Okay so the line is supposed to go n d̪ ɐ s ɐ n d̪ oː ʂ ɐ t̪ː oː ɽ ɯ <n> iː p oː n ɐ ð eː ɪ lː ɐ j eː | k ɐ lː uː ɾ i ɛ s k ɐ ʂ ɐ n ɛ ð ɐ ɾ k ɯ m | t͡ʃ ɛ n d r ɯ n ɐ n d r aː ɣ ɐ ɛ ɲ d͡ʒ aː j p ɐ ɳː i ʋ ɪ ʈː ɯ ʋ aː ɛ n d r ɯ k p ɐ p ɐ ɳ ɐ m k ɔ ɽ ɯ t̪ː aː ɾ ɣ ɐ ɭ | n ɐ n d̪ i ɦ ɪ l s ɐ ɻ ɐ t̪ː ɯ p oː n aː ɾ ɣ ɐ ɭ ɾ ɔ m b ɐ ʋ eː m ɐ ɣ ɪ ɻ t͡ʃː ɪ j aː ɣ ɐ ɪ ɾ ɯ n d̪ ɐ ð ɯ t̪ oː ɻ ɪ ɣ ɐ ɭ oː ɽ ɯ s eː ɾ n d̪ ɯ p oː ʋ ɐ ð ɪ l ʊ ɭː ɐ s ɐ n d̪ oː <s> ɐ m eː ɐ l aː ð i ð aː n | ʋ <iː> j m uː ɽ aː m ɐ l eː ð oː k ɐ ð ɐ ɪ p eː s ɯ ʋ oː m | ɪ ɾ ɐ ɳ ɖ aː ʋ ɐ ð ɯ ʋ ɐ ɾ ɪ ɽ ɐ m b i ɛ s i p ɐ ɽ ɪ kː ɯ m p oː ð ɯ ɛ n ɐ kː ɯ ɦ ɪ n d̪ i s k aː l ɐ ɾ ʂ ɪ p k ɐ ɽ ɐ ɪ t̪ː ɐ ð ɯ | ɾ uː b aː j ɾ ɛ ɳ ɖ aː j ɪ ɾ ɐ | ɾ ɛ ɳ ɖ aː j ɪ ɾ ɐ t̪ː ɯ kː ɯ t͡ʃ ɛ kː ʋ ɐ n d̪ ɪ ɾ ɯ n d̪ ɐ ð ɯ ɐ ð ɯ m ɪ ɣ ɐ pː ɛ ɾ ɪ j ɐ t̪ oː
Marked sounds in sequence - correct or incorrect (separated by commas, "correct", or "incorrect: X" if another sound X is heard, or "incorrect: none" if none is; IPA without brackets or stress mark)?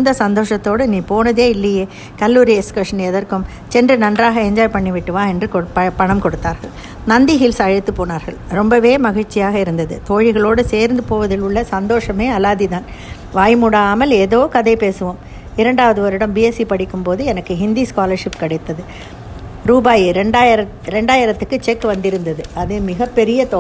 correct, incorrect: ʂ, incorrect: aː